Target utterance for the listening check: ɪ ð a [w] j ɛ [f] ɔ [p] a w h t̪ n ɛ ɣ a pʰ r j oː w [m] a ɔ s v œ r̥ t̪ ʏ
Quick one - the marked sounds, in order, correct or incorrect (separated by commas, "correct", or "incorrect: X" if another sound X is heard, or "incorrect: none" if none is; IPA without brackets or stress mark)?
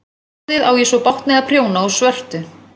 correct, incorrect: s, correct, incorrect: n